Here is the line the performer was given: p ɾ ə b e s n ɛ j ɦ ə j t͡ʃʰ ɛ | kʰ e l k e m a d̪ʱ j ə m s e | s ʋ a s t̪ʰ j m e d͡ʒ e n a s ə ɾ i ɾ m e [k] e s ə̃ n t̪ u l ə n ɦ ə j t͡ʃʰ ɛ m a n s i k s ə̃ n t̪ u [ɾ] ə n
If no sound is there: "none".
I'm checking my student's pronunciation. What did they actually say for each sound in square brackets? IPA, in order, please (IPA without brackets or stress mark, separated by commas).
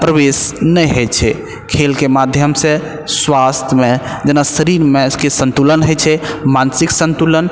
k, l